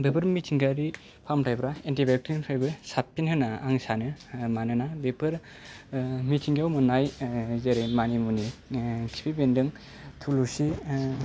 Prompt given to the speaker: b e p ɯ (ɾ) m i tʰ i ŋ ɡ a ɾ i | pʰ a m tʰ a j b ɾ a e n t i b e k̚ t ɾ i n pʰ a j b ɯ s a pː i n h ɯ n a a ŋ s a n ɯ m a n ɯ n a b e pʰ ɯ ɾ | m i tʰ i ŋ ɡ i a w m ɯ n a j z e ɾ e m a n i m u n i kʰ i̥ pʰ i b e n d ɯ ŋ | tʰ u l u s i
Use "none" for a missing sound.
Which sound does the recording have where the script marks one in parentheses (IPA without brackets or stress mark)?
ɾ